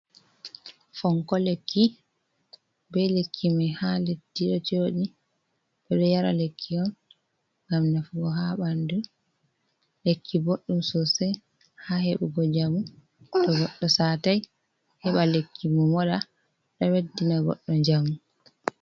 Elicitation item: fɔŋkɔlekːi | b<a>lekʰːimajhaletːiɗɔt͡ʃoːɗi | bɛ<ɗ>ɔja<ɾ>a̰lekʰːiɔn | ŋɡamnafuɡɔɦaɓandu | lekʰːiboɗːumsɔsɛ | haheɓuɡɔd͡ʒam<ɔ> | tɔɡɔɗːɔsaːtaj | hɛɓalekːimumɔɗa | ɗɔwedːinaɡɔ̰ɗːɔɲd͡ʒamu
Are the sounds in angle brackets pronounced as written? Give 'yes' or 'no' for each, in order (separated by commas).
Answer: no, yes, yes, no